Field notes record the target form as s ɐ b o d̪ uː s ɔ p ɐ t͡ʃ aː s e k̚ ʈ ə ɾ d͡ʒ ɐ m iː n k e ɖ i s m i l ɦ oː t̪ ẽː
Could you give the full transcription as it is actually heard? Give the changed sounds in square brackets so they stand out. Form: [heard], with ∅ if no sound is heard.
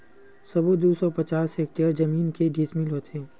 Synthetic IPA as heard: s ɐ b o d̪ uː s ɔ p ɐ t͡ʃ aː s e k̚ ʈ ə ɾ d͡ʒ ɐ m iː n k e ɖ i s m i l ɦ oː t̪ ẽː